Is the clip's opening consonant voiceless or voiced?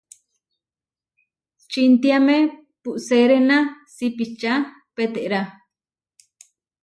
voiceless